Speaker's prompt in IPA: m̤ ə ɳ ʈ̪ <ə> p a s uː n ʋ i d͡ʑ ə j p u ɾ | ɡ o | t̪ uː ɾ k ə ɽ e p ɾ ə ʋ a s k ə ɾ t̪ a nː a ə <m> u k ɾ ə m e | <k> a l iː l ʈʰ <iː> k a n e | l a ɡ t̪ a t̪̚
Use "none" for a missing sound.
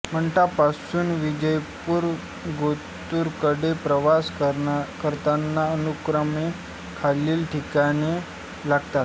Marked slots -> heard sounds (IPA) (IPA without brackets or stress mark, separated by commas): a, n, kʰ, i